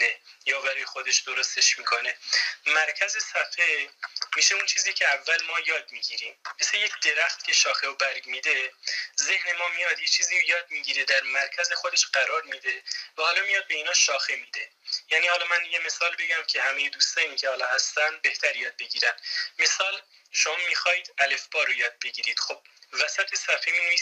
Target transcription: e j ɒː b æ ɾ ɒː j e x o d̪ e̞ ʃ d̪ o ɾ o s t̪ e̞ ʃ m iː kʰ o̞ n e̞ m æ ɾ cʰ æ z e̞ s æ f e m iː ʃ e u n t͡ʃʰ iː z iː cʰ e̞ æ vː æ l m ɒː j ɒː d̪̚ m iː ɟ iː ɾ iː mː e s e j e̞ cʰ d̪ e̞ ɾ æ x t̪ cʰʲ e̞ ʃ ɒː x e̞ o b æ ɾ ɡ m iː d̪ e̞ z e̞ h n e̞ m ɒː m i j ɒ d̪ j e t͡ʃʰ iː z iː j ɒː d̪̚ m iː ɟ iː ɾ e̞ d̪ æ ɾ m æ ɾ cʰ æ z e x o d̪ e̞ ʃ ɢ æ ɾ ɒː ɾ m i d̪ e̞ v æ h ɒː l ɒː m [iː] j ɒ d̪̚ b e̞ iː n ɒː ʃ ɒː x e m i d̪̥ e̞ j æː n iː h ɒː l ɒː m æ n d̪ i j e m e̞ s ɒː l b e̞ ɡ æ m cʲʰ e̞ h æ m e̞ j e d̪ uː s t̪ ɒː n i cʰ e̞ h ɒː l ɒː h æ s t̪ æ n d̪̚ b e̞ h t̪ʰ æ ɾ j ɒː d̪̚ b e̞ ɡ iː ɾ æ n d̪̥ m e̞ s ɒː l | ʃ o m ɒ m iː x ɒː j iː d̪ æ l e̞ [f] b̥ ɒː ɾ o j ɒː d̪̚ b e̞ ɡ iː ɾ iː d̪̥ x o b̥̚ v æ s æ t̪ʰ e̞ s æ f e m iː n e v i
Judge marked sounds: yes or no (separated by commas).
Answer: no, yes